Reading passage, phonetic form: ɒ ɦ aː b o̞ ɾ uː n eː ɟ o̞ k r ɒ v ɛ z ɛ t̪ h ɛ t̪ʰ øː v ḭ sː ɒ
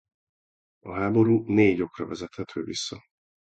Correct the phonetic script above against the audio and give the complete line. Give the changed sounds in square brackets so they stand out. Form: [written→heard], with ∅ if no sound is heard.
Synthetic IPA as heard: ɒ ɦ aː b o̞ ɾ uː n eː ɟ o̞ k r ɒ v ɛ z ɛ t̪ h ɛ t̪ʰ øː v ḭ sː ɒ